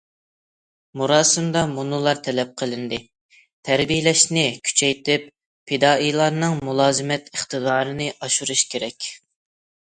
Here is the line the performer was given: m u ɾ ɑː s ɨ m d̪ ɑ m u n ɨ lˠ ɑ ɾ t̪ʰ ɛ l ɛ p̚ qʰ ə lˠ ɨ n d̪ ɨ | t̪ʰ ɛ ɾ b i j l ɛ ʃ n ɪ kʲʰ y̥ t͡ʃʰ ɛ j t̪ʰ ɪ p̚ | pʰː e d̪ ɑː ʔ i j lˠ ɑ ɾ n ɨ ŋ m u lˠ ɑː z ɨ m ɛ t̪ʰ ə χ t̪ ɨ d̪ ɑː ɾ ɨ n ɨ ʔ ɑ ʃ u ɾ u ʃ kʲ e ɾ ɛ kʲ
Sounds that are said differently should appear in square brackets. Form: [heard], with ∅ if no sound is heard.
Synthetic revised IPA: m u ɾ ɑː s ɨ m d̪ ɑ m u n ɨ lˠ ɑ ɾ t̪ʰ ɛ l ɛ p̚ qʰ ə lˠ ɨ n d̪ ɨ | t̪ʰ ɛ ɾ b i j l ɛ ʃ n ɪ kʲʰ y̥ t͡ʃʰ ɛ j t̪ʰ ɪ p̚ | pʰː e d̪ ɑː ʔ i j lˠ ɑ ɾ n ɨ ŋ m u lˠ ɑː z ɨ m ɛ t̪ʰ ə χ t̪ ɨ d̪ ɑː ɾ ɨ n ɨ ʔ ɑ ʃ u ɾ u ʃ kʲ e ɾ ɛ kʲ